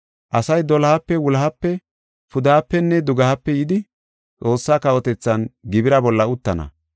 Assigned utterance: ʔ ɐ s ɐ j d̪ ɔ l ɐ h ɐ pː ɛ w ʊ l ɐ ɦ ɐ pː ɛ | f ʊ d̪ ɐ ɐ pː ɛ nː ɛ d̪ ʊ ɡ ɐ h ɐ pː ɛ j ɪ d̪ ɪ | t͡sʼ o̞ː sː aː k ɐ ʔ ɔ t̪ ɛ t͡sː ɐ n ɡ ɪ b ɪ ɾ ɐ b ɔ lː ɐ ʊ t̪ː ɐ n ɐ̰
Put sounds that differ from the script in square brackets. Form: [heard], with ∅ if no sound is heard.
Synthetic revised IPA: ʔ ɐ s ɐ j d̪ ɔ l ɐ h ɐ pː ɛ w ʊ l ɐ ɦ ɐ pː ɛ | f ʊ d̪ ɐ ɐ pː ɛ nː ɛ d̪ ʊ ɡ ɐ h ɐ pː ɛ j ɪ d̪ ɪ | t͡sʼ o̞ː sː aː k ɐ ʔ ɔ t̪ ɛ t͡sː ɐ n ɡ ɪ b ɪ ɾ ɐ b ɔ lː ɐ ʊ t̪ː ɐ n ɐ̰